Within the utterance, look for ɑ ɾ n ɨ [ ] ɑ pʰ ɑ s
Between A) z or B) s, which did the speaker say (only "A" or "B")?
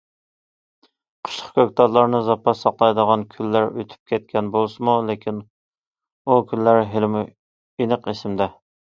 A